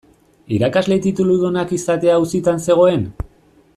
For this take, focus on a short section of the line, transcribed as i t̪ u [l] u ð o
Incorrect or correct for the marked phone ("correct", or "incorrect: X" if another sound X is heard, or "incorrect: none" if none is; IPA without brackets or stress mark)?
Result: correct